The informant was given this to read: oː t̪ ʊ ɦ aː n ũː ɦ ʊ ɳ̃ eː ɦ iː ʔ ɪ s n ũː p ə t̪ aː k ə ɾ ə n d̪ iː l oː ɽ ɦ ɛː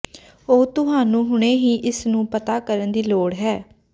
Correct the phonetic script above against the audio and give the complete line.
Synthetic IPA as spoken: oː t̪ ʊ ɦ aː n ũː ɦ ʊ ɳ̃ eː ɦ iː ʔ ɪ s n ũː p ə t̪ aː k ə ɾ ə n d̪ iː l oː ɽ ɦ ɛː